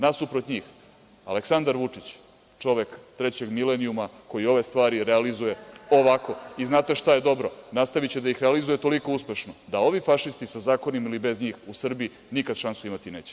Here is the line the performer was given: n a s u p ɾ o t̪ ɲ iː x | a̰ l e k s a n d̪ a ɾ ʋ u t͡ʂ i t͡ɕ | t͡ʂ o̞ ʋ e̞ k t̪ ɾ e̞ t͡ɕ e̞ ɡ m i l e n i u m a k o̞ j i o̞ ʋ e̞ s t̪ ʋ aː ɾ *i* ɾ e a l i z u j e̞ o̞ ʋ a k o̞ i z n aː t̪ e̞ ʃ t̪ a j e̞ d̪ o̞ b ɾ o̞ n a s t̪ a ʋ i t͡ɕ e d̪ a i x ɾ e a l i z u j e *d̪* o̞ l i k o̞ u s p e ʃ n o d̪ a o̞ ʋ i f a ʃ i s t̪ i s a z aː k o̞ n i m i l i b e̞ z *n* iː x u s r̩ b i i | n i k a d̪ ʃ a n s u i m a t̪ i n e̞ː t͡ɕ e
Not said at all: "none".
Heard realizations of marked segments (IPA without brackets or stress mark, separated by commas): i, t̪, ɲ